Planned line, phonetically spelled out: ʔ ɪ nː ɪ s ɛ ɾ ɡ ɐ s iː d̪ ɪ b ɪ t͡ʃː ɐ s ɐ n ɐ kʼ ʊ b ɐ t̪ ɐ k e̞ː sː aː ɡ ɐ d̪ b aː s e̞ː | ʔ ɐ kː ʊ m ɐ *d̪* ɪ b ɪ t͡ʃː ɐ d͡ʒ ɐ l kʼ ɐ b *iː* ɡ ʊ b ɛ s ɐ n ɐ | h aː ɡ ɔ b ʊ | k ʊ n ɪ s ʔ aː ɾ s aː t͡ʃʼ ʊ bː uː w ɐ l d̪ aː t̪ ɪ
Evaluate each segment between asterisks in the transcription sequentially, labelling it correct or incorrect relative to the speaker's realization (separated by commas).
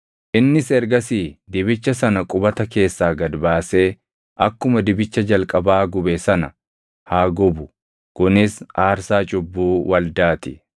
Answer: correct, incorrect